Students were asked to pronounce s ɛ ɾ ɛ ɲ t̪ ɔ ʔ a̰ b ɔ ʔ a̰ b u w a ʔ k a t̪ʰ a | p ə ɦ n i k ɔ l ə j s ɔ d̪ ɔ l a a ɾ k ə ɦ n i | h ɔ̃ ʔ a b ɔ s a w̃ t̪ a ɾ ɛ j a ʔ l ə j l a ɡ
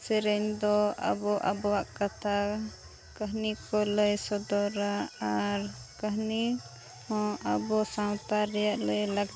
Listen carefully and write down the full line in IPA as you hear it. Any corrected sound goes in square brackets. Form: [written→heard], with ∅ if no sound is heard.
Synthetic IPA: s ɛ ɾ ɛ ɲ [t̪→d̪] ɔ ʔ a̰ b ɔ ʔ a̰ b [u→ɔ] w a ʔ k a t̪ʰ a | [p→k] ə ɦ n i k ɔ l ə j s ɔ d̪ ɔ [l→ɾ] a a ɾ k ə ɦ n i | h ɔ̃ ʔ a b ɔ s a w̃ t̪ a ɾ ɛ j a ʔ l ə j l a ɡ